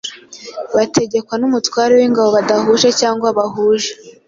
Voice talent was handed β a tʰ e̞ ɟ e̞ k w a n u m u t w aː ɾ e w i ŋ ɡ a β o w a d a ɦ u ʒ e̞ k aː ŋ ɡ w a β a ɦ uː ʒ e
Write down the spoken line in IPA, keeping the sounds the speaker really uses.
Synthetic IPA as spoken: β a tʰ e̞ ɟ e̞ k w a n u m u t w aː ɾ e w i ŋ ɡ a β o β a d a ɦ u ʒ e̞ c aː ŋ ɡ w a β a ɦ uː ʒ e